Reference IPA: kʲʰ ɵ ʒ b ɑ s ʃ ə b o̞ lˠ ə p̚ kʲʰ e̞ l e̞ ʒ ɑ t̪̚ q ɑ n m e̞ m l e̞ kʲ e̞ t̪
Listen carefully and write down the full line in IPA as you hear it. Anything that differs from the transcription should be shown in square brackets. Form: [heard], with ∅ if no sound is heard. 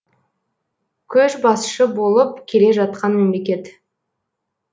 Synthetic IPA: kʲʰ ɵ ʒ b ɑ s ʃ ə b o̞ lˠ ə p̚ kʲʰ e̞ l e̞ ʒ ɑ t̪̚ q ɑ n m e̞ m l e̞ kʲ e̞ t̪